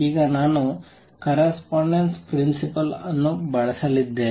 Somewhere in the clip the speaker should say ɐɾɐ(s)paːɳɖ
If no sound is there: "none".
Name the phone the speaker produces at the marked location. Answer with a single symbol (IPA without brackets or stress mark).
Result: s